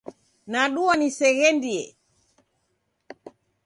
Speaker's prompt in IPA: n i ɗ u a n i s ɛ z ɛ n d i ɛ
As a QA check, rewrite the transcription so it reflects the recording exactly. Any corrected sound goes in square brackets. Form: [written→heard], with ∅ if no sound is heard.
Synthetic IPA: n [i→a] ɗ u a n i s ɛ [z→ɣ] ɛ n d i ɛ

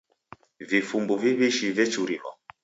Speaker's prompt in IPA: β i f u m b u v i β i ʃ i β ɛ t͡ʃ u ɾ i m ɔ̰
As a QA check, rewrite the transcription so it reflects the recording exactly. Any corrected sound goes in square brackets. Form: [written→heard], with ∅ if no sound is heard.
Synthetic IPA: [β→v] i f u m b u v i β i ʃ i [β→v] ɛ t͡ʃ u ɾ i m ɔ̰

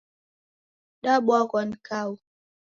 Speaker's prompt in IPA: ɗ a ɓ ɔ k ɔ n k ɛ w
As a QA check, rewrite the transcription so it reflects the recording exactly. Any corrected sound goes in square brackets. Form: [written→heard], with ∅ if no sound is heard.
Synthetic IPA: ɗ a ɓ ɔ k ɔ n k [ɛ→a] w

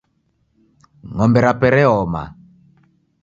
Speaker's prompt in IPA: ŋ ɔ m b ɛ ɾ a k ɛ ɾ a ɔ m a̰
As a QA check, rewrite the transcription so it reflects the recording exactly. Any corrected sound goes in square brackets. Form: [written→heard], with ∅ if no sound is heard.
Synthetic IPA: ŋ ɔ m b ɛ ɾ a [k→p] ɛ ɾ [a→ɛ] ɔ m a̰

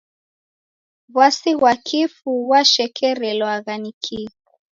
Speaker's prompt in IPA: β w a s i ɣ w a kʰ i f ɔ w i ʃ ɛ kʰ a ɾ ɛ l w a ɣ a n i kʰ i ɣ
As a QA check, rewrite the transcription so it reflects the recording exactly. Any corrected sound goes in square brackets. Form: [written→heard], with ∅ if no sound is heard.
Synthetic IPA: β w a s i ɣ w a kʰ i f [ɔ→u] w [i→a] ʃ ɛ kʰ [a→ɛ] ɾ ɛ l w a ɣ a n i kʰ i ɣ

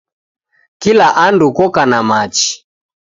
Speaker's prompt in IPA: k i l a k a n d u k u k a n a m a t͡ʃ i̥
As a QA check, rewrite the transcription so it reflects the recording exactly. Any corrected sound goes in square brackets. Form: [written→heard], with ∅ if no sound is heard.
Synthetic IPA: k i l a [k→ʔ] a n d u k [u→ɔ] k a n a m a t͡ʃ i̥

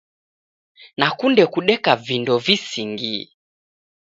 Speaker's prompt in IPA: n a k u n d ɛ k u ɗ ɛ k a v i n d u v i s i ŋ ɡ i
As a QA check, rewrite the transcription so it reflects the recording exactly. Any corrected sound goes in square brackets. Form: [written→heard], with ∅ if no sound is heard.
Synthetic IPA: n a k u n d ɛ k u ɗ ɛ k a v i n d [u→ɔ] v i s i ŋ ɡ i

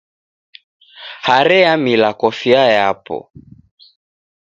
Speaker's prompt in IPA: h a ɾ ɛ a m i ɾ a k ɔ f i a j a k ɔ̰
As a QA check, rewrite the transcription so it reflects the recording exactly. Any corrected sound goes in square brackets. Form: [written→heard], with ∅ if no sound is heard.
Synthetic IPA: h a ɾ ɛ a m i [ɾ→l] a k ɔ f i a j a [k→p] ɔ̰

